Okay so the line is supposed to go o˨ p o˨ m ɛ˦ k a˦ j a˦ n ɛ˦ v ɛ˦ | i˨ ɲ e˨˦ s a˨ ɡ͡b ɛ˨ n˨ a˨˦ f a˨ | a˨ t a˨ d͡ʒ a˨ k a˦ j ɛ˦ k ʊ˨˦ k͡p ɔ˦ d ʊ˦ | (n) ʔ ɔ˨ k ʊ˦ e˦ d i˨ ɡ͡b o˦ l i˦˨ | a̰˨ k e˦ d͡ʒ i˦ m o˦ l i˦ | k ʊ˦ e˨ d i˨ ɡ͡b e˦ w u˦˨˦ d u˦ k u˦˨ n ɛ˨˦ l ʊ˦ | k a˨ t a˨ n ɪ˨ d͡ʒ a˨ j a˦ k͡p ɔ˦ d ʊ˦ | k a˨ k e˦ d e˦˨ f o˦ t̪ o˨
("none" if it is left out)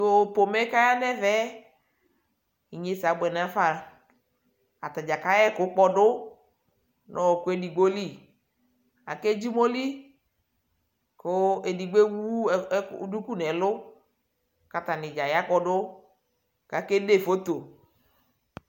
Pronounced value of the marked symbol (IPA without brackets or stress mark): n